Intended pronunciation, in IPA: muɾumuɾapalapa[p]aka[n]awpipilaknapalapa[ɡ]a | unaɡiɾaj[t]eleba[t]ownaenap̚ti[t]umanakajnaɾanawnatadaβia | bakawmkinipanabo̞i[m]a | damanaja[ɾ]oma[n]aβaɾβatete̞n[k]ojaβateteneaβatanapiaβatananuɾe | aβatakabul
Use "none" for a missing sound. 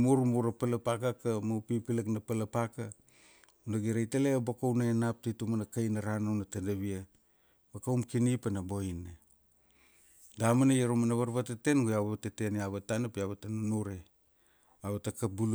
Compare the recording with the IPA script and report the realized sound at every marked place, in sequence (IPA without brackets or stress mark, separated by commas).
k, m, k, t, k, t, n, ɾ, n, ɡ